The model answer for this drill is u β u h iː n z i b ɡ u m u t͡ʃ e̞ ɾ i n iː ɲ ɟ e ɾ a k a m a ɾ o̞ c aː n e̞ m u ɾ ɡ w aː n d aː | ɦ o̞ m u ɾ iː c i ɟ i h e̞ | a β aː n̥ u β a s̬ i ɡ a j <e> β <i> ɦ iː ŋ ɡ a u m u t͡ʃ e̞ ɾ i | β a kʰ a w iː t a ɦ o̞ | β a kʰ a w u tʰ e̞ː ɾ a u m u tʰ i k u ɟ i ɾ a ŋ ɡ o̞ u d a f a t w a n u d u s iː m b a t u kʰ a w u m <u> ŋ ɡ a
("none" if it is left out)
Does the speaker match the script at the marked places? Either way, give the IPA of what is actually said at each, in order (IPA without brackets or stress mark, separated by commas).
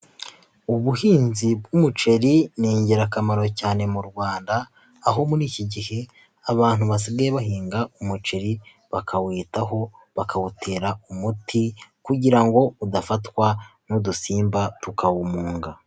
e, a, uː